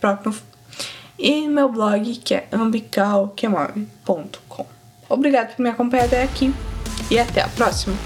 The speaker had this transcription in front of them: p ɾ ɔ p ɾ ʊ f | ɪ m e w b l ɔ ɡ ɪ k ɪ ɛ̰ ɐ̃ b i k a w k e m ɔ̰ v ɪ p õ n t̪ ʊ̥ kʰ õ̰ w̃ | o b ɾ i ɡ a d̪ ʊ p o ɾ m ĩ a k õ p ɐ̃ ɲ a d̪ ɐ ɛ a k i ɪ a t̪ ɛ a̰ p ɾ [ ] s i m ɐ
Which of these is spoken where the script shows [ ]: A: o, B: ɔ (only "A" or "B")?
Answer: B